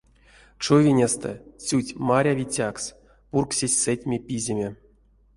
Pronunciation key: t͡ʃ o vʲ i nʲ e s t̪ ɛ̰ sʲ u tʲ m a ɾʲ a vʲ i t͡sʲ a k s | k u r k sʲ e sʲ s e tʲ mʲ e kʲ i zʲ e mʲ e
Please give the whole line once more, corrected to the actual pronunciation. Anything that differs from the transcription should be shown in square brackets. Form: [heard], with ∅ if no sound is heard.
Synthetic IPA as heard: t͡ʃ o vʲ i nʲ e s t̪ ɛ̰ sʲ u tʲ m a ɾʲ a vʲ i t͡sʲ a k s | [p] u r k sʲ e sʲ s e tʲ mʲ e [pʲ] i zʲ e mʲ e